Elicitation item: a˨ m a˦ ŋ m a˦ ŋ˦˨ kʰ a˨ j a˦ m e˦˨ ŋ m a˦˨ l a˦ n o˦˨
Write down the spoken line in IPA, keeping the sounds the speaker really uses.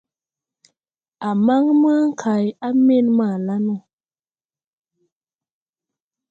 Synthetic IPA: a˨ m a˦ ŋ m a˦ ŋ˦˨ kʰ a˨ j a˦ m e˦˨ n m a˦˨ l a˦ n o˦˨